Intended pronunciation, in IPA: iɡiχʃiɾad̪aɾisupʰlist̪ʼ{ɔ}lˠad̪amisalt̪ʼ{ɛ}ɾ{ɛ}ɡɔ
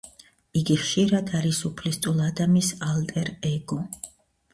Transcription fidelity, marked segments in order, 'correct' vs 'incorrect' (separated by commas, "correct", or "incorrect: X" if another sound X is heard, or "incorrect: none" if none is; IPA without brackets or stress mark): incorrect: u, correct, correct